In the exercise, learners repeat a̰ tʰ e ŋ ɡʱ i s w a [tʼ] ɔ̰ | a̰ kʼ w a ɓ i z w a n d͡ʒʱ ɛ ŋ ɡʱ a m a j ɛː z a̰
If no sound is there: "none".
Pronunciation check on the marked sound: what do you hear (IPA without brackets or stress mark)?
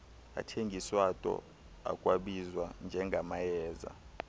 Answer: tʼ